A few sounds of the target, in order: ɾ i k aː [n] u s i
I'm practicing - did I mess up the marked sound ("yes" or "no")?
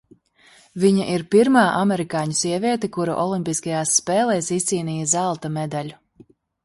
yes